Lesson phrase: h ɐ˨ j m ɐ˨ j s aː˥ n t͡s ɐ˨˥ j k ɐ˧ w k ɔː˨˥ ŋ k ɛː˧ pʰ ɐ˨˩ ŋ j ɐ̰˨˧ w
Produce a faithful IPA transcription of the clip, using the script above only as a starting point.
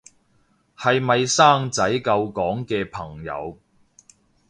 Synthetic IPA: h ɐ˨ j m ɐ˨ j s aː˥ ŋ t͡s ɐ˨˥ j k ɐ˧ w k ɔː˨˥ ŋ k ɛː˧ pʰ ɐ˨˩ ŋ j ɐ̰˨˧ w